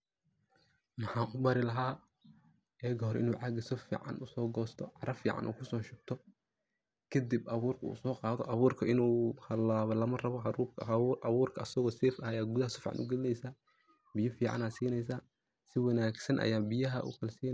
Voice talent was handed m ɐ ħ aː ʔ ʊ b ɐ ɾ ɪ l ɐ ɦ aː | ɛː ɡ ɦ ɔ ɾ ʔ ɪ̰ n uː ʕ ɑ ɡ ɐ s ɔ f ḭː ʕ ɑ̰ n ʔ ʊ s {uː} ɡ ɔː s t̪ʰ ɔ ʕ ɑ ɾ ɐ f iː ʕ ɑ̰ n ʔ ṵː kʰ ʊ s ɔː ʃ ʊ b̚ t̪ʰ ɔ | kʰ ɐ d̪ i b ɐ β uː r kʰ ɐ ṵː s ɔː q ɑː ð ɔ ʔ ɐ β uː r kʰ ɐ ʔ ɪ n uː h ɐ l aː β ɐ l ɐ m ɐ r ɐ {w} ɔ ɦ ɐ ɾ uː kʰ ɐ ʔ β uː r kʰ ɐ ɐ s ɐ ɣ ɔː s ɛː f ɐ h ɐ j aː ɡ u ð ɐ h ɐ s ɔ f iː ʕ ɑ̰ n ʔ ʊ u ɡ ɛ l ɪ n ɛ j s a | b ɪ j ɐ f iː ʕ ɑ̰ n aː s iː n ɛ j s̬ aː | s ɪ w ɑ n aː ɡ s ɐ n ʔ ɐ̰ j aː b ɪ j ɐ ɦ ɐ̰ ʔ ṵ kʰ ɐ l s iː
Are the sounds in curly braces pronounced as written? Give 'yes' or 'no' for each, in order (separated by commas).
no, no